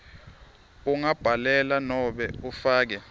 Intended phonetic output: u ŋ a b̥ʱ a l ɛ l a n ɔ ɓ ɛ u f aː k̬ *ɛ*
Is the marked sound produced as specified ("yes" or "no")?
yes